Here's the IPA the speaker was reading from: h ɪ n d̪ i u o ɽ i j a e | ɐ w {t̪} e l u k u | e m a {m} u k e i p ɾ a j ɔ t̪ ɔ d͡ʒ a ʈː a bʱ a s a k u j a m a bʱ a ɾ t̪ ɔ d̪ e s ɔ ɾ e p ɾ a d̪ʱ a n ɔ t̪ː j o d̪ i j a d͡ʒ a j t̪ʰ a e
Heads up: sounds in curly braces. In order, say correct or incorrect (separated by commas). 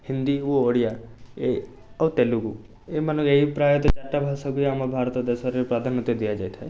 correct, incorrect